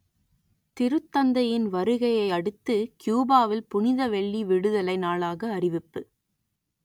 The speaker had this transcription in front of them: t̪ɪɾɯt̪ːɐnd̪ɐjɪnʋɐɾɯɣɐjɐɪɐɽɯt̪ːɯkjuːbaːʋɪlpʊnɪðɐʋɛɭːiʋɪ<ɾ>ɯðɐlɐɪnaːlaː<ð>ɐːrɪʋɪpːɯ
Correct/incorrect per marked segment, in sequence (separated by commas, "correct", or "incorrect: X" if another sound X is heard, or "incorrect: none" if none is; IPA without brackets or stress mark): incorrect: ɽ, incorrect: ɣ